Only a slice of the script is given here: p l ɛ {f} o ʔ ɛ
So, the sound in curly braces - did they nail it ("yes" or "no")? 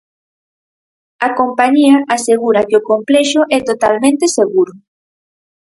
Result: no